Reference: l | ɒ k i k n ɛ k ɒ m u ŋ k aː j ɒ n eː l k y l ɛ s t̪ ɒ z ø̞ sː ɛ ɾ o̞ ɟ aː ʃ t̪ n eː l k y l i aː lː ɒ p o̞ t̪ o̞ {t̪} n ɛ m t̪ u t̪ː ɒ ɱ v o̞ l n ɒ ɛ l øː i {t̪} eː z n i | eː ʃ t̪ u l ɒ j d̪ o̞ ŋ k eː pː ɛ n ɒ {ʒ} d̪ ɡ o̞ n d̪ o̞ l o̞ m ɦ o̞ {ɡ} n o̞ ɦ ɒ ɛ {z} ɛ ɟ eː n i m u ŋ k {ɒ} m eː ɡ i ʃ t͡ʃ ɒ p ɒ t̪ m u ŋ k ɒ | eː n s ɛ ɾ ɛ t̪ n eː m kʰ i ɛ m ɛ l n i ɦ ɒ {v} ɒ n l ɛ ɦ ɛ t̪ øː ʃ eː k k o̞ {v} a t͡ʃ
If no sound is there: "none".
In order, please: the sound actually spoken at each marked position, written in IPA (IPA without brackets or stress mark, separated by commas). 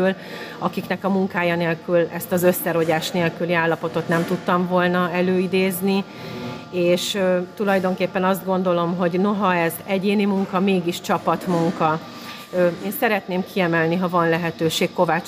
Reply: t̪, d̪, z, ɟ, z, ɒ, v, v